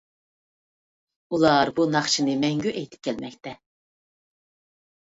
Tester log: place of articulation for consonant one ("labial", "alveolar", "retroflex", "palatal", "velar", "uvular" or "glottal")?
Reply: alveolar